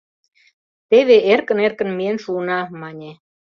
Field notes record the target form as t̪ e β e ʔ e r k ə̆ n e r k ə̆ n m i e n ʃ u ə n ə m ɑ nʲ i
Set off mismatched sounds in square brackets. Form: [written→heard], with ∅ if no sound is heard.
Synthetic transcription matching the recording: t̪ e β e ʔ e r k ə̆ n e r k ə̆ n m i e n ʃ u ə n [ə→ɑ] m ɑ nʲ [i→e]